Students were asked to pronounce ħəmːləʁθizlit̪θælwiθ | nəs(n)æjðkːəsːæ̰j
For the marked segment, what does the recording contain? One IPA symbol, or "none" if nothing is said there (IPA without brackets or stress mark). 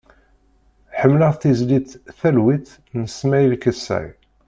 m